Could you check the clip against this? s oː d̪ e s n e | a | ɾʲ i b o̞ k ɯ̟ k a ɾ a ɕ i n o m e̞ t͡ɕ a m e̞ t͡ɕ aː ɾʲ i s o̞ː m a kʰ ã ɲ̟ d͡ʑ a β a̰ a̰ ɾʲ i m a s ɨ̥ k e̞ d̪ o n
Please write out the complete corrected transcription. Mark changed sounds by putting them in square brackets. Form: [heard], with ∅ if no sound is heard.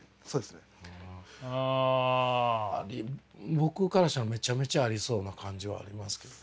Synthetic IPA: s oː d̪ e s n e | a | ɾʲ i b o̞ k ɯ̟ k a ɾ a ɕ [a] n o m e̞ t͡ɕ a m e̞ t͡ɕ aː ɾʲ i s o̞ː [n] a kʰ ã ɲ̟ d͡ʑ [i] β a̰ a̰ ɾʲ i m a s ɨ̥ k e̞ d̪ o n